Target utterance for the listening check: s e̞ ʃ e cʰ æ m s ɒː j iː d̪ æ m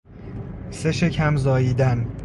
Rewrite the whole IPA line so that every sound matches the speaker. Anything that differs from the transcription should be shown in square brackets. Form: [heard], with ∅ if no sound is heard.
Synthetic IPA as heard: s e̞ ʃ e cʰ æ m [z] ɒː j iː d̪ æ [n]